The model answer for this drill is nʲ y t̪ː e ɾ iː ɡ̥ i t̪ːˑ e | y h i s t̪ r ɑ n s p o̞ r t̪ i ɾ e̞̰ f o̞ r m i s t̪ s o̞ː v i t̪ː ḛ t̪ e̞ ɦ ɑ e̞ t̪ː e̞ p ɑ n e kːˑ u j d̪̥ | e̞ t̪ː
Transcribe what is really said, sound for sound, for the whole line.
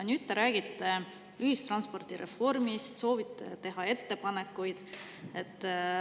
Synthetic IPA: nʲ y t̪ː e ɾ æː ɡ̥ i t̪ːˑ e | y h i s t̪ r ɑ n s p o̞ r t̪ i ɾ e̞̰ f o̞ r m i s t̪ s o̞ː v i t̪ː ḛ t̪ e̞ ɦ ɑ e̞ t̪ː e̞ p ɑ n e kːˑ u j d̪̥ | e̞ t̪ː